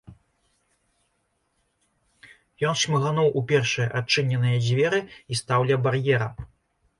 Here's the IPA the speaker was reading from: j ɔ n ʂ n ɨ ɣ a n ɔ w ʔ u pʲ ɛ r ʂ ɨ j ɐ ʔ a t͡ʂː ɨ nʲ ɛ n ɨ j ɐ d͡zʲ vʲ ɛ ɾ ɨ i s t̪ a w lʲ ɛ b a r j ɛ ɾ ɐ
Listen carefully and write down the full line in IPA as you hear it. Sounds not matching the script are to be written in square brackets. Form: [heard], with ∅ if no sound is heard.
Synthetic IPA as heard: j ɔ n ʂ [m] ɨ ɣ a n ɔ w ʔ u pʲ ɛ r ʂ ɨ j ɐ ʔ a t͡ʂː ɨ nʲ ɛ n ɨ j ɐ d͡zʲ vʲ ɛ ɾ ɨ i s t̪ a w lʲ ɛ b a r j ɛ ɾ ɐ